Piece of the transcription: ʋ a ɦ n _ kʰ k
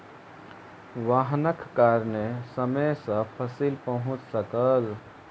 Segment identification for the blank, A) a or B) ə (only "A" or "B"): B